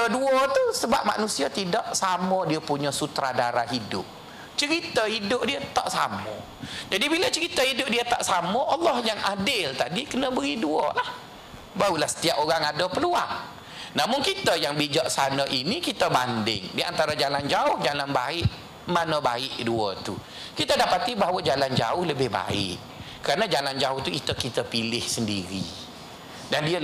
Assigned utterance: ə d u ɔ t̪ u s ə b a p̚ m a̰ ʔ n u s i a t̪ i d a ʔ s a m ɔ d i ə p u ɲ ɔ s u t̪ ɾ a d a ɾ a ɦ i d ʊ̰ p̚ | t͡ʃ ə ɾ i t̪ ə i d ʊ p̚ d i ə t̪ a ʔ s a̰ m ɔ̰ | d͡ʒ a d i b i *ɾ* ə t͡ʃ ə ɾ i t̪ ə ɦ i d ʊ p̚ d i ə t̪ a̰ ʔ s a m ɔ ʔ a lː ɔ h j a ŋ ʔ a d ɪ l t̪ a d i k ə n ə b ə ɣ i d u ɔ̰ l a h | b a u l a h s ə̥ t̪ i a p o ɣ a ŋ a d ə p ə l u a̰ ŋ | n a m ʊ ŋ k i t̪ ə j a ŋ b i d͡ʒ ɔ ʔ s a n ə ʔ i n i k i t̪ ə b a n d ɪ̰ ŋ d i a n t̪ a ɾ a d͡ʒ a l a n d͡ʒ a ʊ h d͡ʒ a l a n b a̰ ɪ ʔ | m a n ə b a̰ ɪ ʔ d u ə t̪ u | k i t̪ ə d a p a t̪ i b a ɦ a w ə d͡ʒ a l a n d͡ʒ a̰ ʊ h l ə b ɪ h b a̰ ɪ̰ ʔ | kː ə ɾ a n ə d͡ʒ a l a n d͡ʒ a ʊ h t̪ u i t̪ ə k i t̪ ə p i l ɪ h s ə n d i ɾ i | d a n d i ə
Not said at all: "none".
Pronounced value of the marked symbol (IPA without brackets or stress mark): l